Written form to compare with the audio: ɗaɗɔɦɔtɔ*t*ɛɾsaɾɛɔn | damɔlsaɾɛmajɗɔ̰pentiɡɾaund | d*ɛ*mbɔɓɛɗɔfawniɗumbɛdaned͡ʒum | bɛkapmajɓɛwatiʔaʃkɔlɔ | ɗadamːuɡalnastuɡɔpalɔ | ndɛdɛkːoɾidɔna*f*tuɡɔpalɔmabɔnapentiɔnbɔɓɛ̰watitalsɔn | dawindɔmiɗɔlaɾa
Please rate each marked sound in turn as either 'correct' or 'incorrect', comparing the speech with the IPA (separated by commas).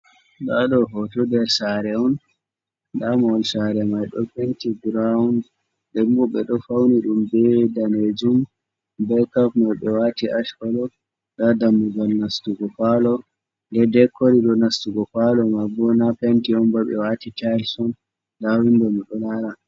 incorrect, correct, incorrect